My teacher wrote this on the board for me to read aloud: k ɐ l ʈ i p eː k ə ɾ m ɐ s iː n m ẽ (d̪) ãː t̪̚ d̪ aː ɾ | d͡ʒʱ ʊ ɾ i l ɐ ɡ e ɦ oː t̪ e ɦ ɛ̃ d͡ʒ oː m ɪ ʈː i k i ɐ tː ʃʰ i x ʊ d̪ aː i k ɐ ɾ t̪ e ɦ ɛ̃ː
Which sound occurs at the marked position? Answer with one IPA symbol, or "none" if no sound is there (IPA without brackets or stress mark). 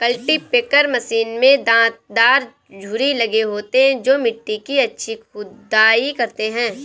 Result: d̪